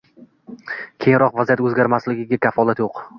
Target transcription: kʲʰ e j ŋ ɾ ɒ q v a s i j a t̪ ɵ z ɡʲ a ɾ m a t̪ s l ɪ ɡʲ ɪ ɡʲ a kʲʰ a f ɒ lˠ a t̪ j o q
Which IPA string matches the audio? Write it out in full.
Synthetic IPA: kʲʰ e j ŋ ɾ ɒ q v a z i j a t̪ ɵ z ɡʲ a ɾ m a s l ɪ ɡʲ ɪ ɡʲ a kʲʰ a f ɒ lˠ a t̪ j o q